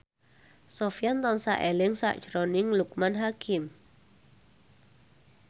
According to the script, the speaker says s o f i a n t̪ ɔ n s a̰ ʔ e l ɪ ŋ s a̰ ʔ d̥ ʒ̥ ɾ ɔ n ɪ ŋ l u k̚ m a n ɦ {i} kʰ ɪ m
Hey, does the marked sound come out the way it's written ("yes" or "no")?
no